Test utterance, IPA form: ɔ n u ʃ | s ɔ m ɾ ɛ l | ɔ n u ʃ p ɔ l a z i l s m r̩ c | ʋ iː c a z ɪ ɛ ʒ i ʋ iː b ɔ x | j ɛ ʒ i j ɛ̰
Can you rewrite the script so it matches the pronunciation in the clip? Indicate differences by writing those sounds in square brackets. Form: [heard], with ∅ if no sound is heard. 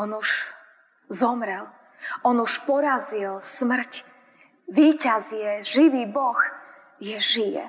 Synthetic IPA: ɔ n u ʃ | [z] ɔ m ɾ ɛ l | ɔ n u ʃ p ɔ [ɾ] a z i l s m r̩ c | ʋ iː c a z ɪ ɛ ʒ i ʋ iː b ɔ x | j ɛ ʒ i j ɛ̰